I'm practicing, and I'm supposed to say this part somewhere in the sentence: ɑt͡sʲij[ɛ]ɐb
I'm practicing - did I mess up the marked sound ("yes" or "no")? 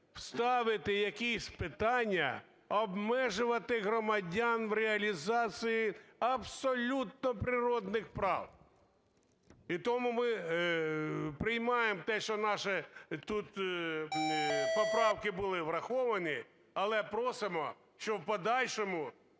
yes